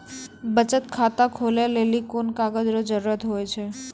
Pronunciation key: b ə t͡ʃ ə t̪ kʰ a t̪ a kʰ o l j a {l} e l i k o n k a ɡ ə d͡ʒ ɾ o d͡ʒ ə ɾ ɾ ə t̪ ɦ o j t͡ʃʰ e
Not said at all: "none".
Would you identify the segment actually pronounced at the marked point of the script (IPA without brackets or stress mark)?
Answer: l